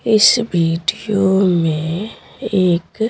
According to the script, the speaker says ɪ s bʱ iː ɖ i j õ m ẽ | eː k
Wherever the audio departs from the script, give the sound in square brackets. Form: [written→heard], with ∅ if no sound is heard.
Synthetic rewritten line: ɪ s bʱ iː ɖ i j [õ→o] m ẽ | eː k

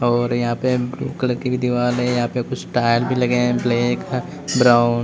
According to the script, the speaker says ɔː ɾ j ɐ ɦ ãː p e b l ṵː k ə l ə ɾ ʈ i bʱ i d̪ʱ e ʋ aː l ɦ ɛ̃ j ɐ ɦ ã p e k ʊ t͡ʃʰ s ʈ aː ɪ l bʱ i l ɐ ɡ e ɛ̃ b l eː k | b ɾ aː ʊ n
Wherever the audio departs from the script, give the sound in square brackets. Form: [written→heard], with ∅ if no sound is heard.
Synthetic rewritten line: ɔː ɾ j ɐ ɦ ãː p e b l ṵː k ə l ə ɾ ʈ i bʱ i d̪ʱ [e→i] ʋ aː l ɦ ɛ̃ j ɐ ɦ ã p e k ʊ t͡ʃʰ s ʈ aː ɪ l bʱ i l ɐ ɡ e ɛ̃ b l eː k | b ɾ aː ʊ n

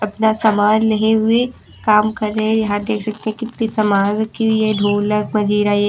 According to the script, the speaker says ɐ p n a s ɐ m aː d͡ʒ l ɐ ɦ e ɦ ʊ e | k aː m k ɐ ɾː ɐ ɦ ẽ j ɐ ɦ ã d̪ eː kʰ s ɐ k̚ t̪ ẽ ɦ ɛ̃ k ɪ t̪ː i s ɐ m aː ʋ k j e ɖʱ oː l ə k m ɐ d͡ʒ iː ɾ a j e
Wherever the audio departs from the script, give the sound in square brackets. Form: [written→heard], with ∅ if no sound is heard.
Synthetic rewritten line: ɐ p n a s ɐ m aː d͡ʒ l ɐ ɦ e ɦ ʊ e | k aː m k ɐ ɾː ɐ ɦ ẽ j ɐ ɦ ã d̪ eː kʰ s ɐ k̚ t̪ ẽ ɦ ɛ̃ k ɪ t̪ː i s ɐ m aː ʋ k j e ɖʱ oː l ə k m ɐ d͡ʒ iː ɾ a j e

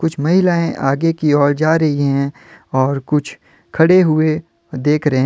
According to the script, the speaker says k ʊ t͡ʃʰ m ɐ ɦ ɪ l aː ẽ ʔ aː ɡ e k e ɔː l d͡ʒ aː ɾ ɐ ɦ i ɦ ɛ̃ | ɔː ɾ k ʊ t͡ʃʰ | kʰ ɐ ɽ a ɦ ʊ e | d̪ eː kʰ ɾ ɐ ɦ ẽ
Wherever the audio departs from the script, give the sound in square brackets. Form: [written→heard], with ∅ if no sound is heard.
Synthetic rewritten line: k ʊ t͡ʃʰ m ɐ ɦ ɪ l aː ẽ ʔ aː ɡ e k [e→i] ɔː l d͡ʒ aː ɾ ɐ ɦ i ɦ ɛ̃ | ɔː ɾ k ʊ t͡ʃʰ | kʰ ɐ ɽ [a→e] ɦ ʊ e | d̪ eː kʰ ɾ ɐ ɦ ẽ

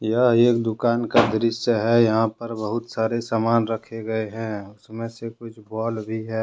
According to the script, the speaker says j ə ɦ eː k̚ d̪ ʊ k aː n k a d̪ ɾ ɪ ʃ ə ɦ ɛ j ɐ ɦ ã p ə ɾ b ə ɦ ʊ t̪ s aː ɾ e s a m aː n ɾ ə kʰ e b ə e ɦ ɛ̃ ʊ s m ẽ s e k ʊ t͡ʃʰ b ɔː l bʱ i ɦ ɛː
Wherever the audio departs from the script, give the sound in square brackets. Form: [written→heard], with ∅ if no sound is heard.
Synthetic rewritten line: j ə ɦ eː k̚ d̪ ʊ k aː n k a d̪ ɾ ɪ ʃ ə ɦ ɛ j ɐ ɦ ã p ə ɾ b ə ɦ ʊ t̪ s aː ɾ e s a m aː n ɾ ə kʰ e [b→ɡ] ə e ɦ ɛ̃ ʊ s m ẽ s e k ʊ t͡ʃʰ b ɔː l bʱ i ɦ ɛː

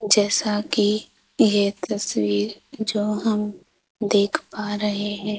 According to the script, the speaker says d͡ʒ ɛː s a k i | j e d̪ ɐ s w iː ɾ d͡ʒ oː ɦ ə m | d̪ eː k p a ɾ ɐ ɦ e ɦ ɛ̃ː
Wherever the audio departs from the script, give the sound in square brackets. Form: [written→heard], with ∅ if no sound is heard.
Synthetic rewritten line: d͡ʒ ɛː s a k i | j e [d̪→t̪] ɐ s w iː ɾ d͡ʒ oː ɦ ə m | d̪ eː [k→kʰ] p a ɾ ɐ ɦ e ɦ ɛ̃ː

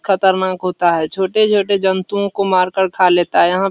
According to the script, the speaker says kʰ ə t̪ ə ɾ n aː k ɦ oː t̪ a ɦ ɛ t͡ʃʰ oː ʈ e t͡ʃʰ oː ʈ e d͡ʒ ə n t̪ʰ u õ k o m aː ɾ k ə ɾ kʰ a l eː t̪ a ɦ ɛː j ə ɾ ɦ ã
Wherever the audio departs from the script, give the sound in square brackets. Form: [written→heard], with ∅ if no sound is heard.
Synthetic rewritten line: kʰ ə t̪ ə ɾ n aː k ɦ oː t̪ a ɦ ɛ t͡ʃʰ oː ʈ e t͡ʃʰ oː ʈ e d͡ʒ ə n [t̪ʰ→t̪] u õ k o m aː ɾ k ə ɾ kʰ a l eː t̪ a ɦ [ɛː→ɛ] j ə [ɾ→∅] ɦ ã

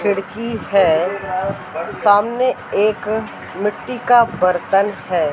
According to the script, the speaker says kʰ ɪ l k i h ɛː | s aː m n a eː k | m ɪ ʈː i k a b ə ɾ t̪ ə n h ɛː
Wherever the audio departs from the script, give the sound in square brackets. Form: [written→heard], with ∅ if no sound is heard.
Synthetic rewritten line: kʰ ɪ [l→ɽ] k i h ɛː | s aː m n [a→e] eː k | m ɪ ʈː i k a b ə ɾ t̪ ə n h ɛː

